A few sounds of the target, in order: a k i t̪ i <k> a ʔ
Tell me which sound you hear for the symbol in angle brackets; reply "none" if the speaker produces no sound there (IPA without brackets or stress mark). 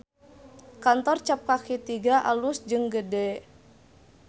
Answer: ɡ